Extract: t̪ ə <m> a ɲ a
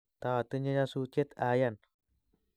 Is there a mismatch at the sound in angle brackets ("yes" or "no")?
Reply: yes